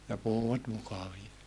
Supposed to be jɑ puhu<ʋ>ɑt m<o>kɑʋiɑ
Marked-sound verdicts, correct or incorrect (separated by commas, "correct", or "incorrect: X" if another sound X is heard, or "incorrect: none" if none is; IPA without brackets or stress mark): incorrect: w, incorrect: u